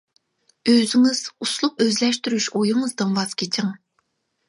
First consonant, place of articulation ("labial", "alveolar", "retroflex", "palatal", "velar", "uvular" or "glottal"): alveolar